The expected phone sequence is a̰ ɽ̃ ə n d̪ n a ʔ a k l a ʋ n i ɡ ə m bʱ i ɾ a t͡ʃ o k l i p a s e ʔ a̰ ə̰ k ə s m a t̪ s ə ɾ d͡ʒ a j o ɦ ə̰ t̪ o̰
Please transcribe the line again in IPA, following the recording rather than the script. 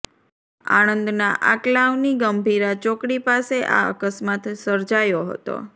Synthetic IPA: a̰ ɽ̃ ə n d̪ n a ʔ a k l a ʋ n i ɡ ə m bʱ i ɾ a t͡ʃ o k ɽ i p a s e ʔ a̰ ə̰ k ə s m a t̪ s ə ɾ d͡ʒ a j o ɦ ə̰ t̪ o̰